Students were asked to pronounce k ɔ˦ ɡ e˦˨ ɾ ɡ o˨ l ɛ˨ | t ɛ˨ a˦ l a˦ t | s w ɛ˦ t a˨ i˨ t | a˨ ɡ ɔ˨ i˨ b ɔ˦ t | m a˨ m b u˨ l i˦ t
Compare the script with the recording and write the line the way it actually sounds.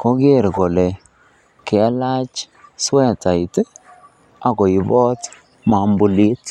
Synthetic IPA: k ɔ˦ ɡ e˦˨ ɾ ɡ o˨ l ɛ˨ | k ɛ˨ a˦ l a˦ t͡ʃ | s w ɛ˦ t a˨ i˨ t | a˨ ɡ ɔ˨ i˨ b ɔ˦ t | m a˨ m b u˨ l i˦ t

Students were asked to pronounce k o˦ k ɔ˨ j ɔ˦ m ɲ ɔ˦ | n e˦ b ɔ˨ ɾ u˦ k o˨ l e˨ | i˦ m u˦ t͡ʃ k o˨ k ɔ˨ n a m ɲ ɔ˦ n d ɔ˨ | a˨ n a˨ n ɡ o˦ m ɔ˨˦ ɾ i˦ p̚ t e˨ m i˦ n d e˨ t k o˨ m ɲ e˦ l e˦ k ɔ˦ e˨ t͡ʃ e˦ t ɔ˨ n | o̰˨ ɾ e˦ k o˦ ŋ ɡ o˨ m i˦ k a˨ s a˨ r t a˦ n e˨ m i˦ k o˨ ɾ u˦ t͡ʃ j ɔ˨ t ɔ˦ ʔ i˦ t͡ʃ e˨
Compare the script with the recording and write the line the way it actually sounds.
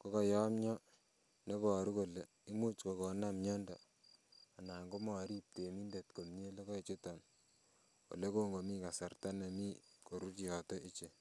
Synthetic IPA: k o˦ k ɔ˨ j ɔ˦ m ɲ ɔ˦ | n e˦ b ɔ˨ ɾ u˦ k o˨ l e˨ | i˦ m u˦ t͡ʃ k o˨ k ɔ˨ n a m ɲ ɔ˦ n d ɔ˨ | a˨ n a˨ ŋ ɡ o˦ m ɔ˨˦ ɾ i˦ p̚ t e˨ m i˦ n d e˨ t k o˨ m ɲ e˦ l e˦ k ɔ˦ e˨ t͡ʃ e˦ t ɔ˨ n | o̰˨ l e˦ k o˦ ŋ ɡ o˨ m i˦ k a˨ s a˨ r t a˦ n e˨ m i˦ k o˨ ɾ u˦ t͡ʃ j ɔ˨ t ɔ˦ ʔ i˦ t͡ʃ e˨

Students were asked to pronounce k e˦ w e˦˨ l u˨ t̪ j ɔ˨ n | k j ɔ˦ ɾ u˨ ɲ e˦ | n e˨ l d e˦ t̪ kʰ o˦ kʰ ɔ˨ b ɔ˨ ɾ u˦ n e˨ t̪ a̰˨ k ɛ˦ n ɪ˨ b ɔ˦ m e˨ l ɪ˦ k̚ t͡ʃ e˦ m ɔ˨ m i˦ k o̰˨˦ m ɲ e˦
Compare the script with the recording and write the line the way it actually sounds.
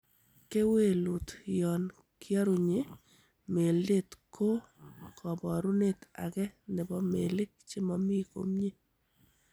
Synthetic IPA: k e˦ w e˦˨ l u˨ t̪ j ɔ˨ n | k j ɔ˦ ɾ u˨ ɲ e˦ | m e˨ l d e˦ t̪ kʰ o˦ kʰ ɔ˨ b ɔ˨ ɾ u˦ n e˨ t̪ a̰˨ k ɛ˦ n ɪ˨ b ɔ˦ m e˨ l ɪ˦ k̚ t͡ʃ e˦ m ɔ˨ m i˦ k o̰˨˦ m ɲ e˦

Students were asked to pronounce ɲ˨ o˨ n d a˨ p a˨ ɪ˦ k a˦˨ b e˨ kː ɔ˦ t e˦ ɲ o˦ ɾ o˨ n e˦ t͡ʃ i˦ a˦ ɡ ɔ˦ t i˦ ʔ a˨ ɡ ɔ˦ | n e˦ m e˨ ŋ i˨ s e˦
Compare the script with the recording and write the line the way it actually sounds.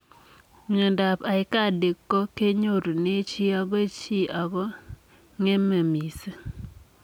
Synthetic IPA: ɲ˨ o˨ n d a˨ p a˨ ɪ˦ k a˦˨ d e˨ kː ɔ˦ k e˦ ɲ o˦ ɾ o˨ n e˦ t͡ʃ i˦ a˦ ɡ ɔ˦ t͡ʃ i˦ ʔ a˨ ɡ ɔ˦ | ŋ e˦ m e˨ m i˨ s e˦

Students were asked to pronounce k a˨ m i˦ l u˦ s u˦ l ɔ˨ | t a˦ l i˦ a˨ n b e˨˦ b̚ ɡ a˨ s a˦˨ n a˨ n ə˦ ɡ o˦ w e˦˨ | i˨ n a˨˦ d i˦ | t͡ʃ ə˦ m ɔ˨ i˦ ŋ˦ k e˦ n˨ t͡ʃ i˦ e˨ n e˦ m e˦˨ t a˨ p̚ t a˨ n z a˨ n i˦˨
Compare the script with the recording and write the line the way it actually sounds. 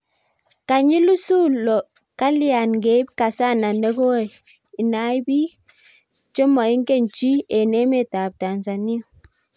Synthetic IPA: k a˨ ɲ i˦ l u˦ s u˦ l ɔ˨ | k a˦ l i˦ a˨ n ɡ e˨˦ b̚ k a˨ s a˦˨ n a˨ n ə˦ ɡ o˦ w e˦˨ | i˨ n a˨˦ b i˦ | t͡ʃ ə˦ m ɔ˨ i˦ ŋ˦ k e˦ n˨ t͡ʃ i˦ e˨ n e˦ m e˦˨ t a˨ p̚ t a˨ n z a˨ n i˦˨

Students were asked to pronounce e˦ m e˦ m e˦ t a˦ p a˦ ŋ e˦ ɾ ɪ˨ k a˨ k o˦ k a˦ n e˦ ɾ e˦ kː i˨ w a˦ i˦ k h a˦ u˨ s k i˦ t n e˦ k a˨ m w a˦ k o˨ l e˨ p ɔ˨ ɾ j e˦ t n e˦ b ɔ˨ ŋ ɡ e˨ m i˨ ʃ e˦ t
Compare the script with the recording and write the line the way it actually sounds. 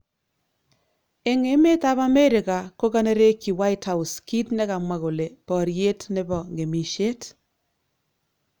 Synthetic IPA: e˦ ŋ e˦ m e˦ t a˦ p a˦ m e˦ ɾ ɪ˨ k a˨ k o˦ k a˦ n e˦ ɾ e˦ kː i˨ w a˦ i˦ t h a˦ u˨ s k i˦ t n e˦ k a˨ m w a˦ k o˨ l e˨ p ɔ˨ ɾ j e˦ t n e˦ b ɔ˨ ŋ ɡ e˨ m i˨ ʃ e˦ t

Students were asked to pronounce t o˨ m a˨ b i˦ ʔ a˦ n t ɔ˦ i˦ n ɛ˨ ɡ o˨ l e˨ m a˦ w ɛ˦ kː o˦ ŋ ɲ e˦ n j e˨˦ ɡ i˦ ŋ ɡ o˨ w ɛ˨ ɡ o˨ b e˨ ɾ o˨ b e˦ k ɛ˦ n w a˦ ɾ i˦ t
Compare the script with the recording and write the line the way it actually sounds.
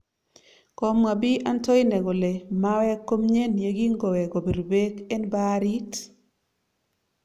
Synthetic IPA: k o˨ m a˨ b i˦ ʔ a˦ n t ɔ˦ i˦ n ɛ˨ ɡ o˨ l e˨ m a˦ w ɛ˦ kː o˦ m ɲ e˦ n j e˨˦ ɡ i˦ ŋ ɡ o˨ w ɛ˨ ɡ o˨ b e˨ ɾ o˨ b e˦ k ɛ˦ n b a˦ ɾ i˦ t

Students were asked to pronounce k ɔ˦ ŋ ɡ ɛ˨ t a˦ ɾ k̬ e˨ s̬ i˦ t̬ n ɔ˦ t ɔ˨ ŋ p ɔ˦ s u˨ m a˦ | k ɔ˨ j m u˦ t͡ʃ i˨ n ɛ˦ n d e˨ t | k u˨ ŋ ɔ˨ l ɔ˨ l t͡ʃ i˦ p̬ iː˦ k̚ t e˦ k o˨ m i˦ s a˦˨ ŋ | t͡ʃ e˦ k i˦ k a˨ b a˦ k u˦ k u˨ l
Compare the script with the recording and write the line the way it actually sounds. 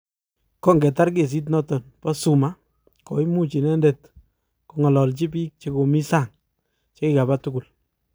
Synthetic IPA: k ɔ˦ ŋ ɡ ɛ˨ t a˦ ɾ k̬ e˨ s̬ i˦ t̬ n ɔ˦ t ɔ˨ n p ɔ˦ s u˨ m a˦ | k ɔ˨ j m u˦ t͡ʃ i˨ n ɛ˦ n d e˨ t | k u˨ ŋ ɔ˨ l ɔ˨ l t͡ʃ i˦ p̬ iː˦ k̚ t͡ʃ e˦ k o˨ m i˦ s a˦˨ ŋ | t͡ʃ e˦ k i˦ k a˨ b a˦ t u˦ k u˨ l

